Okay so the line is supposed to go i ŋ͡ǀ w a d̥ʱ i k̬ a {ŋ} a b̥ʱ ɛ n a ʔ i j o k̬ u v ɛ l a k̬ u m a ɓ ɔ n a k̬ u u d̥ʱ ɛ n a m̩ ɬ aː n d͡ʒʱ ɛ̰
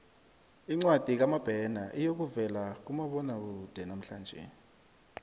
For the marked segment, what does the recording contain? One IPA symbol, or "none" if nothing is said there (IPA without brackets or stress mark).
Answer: m